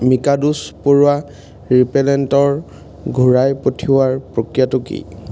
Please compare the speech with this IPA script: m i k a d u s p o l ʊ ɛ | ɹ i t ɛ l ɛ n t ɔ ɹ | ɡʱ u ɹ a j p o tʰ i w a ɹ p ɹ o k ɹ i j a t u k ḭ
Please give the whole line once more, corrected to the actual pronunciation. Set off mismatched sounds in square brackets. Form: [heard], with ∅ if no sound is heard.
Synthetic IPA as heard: m i k a d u s p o [ɹ] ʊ [a] | ɹ i [p] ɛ l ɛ n t ɔ ɹ | ɡʱ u ɹ a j p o tʰ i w a ɹ p ɹ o k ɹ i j a t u k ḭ